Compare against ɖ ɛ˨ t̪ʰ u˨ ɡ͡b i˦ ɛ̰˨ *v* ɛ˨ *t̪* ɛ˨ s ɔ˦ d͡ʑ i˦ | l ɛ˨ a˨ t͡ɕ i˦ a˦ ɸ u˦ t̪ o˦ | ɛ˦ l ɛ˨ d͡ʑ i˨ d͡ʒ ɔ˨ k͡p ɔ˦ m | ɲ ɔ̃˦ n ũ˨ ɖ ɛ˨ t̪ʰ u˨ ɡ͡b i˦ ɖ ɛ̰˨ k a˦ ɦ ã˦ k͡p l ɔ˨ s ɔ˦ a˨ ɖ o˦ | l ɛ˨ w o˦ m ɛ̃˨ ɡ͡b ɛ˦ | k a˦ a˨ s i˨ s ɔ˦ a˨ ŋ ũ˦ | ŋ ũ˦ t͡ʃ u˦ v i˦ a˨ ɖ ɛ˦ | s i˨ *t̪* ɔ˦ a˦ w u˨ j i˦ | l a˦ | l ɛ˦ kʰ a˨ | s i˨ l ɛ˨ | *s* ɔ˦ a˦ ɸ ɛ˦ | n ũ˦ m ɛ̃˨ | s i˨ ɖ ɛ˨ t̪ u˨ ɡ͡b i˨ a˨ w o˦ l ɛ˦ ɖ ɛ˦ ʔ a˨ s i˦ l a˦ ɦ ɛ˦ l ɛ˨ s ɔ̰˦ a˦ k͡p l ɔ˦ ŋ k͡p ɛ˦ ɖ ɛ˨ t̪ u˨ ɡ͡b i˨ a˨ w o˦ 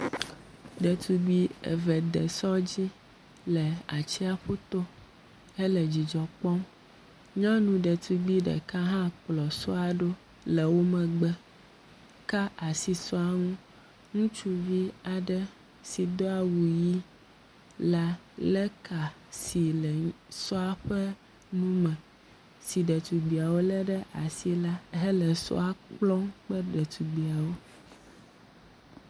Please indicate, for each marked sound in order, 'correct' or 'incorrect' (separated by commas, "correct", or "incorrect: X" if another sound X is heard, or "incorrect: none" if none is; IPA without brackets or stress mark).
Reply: correct, incorrect: d̪, incorrect: d̪, correct